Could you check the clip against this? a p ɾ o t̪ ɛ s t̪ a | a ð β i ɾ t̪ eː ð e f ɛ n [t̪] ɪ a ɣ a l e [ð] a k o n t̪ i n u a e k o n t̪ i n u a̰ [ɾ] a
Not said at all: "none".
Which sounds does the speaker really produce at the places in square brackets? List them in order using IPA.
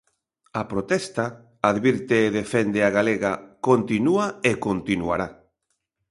d̪, ɣ, ɾ

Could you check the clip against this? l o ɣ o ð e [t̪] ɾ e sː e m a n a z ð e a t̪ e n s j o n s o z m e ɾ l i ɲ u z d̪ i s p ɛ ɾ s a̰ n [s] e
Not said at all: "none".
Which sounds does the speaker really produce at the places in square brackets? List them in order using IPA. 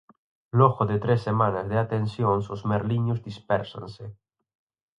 t̪, s

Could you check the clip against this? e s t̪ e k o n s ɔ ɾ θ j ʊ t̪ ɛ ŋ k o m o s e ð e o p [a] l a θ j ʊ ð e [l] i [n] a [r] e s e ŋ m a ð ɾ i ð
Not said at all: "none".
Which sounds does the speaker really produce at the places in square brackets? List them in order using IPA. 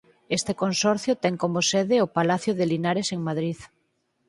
a, l, n, ɾ

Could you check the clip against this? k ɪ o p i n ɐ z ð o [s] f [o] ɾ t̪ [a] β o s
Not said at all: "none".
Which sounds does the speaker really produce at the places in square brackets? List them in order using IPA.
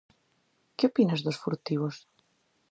s, u, i

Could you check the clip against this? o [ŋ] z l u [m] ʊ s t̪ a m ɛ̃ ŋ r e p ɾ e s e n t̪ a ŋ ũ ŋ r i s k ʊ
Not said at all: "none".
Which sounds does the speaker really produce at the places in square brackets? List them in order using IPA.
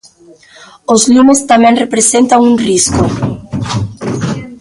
none, m

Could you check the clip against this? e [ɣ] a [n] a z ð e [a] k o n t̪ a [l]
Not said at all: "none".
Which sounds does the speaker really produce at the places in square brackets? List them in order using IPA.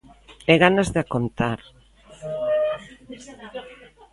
ɣ, n, a, ɾ

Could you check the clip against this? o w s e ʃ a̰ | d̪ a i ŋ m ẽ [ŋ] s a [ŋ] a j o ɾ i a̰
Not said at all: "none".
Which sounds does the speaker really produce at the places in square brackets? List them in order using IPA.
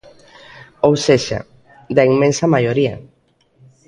n, m

